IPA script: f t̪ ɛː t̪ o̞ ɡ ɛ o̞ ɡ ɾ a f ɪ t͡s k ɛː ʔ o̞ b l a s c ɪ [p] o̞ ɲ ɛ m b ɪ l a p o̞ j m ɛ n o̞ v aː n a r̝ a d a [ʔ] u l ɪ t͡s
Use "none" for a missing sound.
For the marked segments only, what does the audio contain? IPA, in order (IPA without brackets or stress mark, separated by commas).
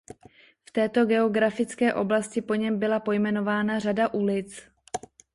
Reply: p, ʔ